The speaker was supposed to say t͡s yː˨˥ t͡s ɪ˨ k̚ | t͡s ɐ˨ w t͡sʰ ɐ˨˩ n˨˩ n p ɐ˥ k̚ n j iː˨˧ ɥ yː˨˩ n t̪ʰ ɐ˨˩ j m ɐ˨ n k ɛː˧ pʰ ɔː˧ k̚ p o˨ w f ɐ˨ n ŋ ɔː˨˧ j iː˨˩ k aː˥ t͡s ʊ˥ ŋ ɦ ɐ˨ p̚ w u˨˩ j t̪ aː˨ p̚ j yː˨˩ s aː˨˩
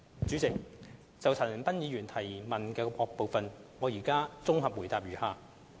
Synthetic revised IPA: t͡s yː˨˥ t͡s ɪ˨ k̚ | t͡s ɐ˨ w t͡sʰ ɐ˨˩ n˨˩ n p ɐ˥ n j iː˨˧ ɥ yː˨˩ n t̪ʰ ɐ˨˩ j m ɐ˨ n k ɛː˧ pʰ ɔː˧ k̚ p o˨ w f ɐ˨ n ŋ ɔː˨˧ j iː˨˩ k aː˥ t͡s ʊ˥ ŋ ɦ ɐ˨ p̚ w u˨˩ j t̪ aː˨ p̚ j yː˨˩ h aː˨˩